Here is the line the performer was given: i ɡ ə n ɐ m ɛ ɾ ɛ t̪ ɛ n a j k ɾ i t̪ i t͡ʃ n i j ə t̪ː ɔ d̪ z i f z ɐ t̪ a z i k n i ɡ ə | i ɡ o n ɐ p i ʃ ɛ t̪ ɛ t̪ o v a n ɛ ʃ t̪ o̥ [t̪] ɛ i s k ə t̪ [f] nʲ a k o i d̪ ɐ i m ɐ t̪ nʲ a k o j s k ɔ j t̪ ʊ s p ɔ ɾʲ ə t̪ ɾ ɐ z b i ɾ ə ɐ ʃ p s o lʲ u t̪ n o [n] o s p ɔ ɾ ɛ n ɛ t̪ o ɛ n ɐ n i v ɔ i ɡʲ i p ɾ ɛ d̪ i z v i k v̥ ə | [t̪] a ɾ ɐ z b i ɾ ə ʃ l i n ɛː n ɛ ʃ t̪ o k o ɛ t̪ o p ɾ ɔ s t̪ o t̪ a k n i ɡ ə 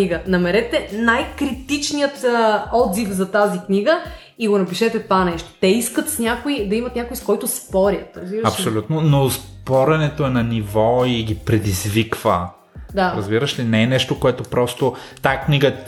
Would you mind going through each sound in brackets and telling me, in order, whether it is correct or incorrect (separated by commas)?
correct, incorrect, correct, incorrect